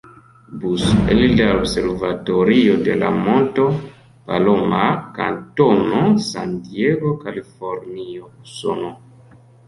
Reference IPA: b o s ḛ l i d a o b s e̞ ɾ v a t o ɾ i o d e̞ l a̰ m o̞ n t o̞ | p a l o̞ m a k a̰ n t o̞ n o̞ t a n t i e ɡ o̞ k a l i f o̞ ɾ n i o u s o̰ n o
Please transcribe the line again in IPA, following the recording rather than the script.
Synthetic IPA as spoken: b u s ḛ l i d a o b s e̞ ɾ v a t o ɾ i o d e̞ l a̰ m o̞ n t o̞ | p a l o̞ m a k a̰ n t o̞ n o̞ s a n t i e ɡ o̞ k a l i f o̞ ɾ n i o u s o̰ n o